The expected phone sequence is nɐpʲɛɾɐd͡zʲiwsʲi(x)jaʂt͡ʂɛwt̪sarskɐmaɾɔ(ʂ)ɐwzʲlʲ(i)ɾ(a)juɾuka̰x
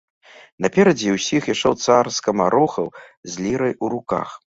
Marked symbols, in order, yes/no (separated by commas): yes, no, yes, no